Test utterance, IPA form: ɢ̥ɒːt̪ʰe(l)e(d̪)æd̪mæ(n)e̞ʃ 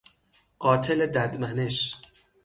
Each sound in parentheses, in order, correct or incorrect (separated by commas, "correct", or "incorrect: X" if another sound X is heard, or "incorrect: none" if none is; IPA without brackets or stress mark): correct, correct, correct